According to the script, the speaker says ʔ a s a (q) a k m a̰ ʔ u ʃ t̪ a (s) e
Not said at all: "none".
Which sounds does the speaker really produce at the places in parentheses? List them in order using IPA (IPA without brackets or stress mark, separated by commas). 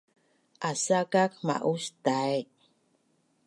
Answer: k, none